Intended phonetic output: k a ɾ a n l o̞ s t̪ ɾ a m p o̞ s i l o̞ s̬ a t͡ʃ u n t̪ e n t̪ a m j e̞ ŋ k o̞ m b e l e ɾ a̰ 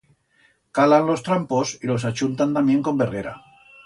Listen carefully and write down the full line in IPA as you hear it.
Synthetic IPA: k a l a n l o̞ s t̪ ɾ a m p o̞ s i l o̞ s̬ a t͡ʃ u n t̪ a n t̪ a m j e̞ ŋ k o̞ m b e r e ɾ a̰